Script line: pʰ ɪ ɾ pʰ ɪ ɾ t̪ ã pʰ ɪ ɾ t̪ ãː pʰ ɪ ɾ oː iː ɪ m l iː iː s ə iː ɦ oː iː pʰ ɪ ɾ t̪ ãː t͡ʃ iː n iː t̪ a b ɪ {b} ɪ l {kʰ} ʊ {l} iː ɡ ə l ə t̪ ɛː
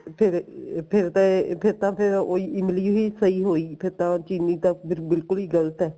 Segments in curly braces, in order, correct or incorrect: correct, incorrect: k, correct

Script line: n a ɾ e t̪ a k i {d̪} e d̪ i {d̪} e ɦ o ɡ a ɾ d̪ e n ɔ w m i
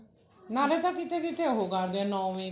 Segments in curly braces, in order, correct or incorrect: incorrect: t̪, incorrect: t̪

